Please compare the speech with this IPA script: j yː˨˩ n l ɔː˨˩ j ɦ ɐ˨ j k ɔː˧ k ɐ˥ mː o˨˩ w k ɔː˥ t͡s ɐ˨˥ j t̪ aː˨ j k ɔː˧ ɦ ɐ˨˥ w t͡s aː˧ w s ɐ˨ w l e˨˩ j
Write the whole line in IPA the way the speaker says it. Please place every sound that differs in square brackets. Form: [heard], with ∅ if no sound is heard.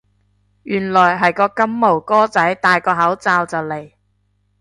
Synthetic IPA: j yː˨˩ n l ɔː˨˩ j ɦ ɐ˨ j k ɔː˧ k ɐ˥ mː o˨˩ w k ɔː˥ t͡s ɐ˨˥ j t̪ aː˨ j k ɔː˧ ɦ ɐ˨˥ w t͡s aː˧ w [t͡s] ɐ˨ w l e˨˩ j